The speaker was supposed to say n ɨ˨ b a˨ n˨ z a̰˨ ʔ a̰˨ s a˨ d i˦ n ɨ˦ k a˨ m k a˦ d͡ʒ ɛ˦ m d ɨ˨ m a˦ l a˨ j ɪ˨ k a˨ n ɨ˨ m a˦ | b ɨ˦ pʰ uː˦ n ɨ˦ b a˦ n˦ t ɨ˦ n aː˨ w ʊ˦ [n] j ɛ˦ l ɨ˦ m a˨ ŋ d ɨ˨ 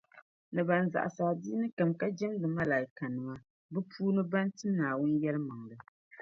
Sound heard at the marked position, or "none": n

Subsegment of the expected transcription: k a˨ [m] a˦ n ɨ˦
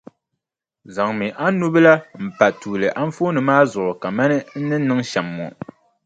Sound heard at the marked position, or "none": m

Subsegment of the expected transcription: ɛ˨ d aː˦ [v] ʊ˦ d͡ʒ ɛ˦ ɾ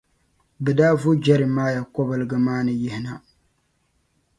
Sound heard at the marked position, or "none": v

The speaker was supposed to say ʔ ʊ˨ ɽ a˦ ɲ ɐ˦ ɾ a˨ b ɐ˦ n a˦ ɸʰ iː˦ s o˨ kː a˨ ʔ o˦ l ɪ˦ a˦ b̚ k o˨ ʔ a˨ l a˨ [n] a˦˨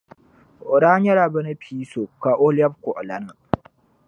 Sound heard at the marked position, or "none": n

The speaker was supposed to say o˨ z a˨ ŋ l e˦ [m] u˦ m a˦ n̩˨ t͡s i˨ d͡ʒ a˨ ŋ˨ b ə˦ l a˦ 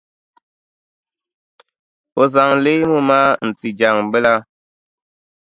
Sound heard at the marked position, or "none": m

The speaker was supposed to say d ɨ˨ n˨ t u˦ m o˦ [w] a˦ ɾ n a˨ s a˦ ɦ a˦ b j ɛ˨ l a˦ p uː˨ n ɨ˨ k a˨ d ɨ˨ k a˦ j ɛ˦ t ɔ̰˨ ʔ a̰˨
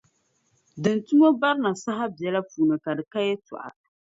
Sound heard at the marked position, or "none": b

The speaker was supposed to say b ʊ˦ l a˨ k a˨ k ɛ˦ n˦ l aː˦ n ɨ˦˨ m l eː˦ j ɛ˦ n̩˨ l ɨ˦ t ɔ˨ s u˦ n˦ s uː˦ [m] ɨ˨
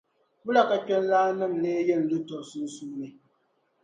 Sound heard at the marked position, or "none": n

